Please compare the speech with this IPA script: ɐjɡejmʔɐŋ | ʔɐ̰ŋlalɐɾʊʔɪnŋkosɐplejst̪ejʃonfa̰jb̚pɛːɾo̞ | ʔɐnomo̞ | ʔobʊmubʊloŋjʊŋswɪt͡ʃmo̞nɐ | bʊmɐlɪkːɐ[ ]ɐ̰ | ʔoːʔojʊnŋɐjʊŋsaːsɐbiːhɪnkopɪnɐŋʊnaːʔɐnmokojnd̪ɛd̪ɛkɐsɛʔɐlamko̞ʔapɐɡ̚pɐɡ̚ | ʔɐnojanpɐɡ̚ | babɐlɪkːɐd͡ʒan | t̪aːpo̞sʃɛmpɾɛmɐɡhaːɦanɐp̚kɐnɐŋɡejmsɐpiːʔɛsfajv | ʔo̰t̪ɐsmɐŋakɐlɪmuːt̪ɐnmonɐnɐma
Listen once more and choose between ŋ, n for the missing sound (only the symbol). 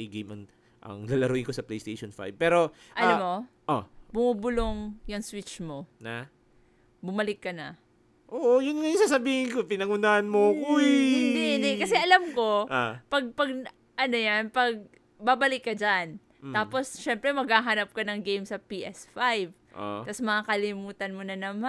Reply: n